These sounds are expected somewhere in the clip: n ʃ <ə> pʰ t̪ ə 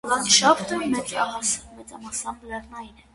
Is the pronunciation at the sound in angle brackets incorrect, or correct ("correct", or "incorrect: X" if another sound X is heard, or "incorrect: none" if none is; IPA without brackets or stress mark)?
incorrect: ɑ